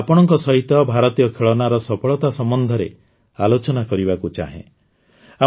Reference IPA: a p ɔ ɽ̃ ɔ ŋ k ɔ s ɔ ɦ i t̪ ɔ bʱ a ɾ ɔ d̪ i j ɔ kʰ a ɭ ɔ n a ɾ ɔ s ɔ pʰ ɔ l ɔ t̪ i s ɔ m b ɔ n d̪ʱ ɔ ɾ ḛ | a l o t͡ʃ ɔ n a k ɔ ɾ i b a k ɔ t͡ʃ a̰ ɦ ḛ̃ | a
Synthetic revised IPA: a p ɔ ɽ̃ ɔ ŋ k ɔ s ɔ ɦ i t̪ ɔ bʱ a ɾ ɔ t̪ i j ɔ kʰ e ɭ ɔ n a ɾ ɔ s ɔ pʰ ɔ ɭ ɔ t̪ a s ɔ m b ɔ n d̪ʱ ɔ ɾ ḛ | a l o t͡ʃ ɔ n a k ɔ ɾ i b a k u t͡ʃ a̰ ɦ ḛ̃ | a